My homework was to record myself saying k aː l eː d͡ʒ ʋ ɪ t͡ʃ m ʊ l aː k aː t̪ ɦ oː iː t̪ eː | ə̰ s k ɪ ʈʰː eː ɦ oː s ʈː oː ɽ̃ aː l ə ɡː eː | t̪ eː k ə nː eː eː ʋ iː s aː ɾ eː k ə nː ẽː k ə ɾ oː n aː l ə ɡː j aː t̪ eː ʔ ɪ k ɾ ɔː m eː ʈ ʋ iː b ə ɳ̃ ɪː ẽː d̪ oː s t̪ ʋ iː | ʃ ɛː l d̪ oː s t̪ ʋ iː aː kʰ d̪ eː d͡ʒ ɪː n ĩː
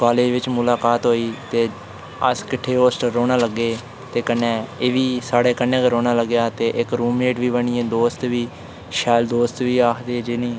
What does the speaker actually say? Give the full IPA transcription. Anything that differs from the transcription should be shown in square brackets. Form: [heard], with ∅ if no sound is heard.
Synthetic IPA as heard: k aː l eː d͡ʒ ʋ ɪ t͡ʃ m ʊ l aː k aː t̪ ɦ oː iː t̪ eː | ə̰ s k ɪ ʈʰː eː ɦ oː s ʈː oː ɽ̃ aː l ə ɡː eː | t̪ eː k ə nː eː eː ʋ iː s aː [ɽ] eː k ə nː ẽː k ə ɾ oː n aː l ə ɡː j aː t̪ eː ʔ ɪ k ɾ [uː] m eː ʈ ʋ iː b ə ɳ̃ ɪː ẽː d̪ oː s t̪ ʋ iː | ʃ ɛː l d̪ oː s t̪ ʋ iː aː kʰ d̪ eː d͡ʒ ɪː n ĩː

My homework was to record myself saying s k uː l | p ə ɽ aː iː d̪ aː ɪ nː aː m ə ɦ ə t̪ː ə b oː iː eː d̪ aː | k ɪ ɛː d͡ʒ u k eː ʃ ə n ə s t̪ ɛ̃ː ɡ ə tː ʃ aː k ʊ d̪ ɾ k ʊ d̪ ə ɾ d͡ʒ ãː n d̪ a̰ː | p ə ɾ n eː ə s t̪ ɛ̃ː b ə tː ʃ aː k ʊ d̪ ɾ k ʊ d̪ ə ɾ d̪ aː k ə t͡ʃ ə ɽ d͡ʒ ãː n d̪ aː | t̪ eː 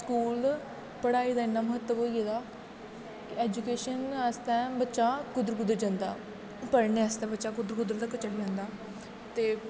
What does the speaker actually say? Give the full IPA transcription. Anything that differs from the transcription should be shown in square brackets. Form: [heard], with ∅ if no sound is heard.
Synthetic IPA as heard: s k uː l | p ə ɽ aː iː d̪ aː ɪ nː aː m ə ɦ ə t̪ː ə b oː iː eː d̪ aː | k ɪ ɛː d͡ʒ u k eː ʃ ə n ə s t̪ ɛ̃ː [b] ə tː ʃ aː k ʊ d̪ ɾ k ʊ d̪ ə ɾ d͡ʒ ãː n d̪ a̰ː | p ə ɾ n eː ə s t̪ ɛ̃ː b ə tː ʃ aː k ʊ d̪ ɾ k ʊ d̪ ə ɾ d̪ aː k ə t͡ʃ ə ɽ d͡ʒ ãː n d̪ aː | t̪ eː

